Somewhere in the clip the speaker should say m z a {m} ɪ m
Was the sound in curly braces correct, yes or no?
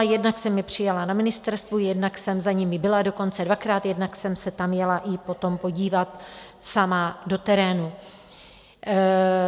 no